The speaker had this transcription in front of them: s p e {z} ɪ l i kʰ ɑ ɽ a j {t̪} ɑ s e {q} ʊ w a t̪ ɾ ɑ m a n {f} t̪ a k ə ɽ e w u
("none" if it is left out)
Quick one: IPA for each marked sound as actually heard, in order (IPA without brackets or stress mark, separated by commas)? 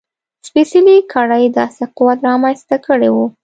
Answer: s, d̪, q, s